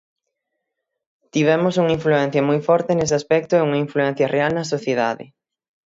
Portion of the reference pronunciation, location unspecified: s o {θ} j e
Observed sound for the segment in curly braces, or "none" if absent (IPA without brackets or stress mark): θ